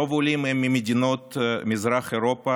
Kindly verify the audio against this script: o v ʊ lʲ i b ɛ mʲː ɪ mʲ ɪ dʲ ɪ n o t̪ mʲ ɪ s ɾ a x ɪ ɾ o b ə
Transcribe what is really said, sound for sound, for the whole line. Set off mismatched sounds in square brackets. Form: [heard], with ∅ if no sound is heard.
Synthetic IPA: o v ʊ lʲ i [m] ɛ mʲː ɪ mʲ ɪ dʲ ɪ n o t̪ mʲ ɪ [z] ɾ a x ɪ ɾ o [p] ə